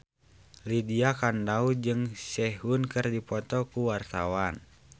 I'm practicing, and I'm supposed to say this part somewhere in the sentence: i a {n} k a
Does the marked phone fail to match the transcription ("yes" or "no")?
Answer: yes